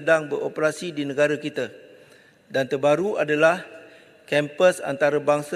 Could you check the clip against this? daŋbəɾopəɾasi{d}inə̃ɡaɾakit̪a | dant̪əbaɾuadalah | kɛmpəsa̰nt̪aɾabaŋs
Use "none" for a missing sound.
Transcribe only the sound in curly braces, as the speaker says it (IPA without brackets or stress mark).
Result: d